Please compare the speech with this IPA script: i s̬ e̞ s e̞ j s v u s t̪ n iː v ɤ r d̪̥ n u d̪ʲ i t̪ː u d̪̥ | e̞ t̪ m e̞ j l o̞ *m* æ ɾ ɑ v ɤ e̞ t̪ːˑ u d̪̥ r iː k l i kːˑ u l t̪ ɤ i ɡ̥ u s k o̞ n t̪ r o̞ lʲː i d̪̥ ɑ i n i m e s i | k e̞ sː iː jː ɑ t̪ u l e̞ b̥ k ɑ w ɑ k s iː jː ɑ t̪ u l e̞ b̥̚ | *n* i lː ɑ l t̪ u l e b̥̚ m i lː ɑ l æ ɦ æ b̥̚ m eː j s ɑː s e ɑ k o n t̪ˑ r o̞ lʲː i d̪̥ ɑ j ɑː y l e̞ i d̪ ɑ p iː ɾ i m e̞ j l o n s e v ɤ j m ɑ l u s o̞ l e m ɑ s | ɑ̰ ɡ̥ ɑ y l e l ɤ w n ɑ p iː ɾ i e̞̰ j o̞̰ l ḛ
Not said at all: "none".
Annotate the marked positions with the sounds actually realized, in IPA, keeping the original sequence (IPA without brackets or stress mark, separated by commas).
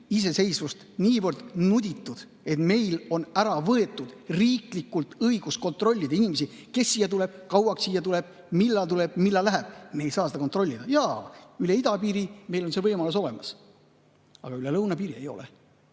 n, m